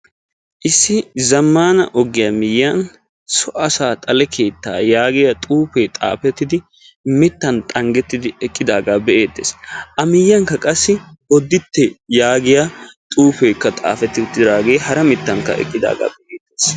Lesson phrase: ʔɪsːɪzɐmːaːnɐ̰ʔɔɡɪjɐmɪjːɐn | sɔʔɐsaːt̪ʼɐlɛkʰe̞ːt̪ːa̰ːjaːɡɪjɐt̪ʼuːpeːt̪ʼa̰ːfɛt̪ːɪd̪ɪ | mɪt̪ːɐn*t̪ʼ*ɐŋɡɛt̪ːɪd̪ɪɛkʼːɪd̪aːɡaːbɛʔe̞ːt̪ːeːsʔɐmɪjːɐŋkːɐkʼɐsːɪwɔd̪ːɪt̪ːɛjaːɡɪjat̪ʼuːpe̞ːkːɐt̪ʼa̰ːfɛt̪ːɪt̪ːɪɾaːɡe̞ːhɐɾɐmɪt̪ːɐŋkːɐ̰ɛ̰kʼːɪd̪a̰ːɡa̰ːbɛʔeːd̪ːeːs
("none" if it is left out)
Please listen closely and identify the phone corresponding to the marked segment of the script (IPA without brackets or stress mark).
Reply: t̪ʼ